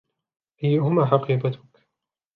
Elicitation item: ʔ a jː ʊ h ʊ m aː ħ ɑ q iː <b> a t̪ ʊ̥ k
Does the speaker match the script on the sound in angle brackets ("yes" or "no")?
yes